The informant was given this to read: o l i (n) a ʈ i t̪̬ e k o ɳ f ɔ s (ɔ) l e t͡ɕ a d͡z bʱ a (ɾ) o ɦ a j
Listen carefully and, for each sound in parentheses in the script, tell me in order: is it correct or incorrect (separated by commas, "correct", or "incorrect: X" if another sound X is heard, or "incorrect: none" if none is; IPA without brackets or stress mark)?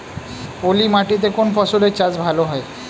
incorrect: m, incorrect: u, incorrect: l